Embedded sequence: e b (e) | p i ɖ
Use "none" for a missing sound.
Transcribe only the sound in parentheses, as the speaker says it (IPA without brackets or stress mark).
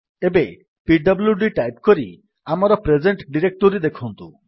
e